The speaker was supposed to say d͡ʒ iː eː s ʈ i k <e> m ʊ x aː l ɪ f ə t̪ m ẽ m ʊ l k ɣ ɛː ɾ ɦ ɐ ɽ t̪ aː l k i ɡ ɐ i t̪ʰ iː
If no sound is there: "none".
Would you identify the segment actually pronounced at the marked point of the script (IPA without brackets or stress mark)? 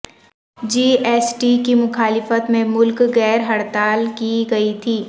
i